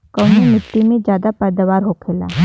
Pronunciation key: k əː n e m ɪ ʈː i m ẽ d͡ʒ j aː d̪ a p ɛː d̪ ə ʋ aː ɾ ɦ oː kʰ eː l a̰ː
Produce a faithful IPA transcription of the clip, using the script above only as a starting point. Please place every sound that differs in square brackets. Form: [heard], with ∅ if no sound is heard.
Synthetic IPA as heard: k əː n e m ɪ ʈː i m ẽ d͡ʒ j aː d̪ a p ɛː d̪ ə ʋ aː ɾ ɦ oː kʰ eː l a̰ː